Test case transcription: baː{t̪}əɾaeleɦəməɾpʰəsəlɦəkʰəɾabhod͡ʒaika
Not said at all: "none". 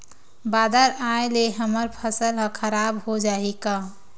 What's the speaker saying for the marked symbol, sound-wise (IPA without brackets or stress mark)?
d̪